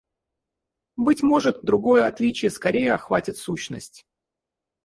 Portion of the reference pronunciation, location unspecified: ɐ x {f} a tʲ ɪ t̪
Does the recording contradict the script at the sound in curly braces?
yes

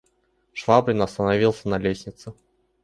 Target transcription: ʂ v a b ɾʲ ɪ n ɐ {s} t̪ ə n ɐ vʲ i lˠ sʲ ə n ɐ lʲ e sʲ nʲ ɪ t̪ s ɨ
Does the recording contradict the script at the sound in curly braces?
no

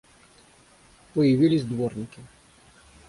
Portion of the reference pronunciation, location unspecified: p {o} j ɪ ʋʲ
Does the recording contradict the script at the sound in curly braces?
yes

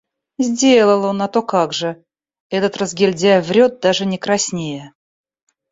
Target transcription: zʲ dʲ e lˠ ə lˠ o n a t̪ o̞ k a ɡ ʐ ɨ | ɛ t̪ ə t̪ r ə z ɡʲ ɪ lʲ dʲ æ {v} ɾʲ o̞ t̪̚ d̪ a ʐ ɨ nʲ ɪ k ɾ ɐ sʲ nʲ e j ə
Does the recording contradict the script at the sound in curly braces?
no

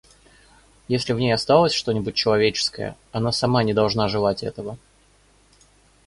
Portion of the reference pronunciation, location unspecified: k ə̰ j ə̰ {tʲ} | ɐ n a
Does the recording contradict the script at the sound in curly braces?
yes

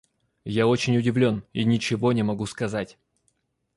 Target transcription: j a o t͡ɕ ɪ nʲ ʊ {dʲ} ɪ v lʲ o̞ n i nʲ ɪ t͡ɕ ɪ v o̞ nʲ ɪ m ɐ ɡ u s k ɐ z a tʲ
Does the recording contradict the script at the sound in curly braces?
no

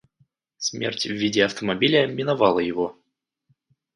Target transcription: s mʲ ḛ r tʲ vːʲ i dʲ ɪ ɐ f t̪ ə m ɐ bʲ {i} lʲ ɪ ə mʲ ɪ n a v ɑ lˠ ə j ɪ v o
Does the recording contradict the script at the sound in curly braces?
no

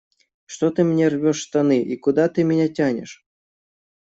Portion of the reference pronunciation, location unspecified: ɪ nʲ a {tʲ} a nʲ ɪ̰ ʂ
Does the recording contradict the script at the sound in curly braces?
no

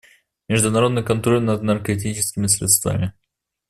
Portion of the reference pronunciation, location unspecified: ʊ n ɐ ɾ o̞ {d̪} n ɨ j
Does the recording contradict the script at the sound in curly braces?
no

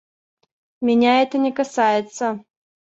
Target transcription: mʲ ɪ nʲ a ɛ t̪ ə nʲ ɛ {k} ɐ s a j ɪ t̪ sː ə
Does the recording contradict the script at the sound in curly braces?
no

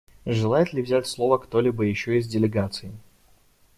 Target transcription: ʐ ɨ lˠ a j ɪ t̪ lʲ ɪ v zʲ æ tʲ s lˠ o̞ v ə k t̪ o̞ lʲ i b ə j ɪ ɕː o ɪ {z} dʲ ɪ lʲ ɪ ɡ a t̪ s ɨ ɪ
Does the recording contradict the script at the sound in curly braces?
no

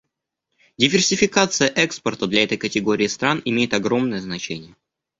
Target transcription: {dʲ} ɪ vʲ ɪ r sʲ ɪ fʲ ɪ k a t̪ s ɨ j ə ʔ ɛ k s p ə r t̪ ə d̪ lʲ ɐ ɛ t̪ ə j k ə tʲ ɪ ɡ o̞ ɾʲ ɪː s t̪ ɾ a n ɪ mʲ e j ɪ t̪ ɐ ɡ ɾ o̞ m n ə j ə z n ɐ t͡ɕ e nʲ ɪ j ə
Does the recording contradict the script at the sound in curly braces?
no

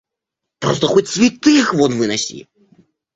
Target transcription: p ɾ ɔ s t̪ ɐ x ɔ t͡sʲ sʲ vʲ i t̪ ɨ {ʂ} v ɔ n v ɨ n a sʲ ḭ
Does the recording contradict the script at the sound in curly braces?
yes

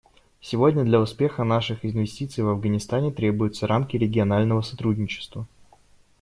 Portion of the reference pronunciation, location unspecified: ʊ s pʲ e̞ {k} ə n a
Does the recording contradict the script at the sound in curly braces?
yes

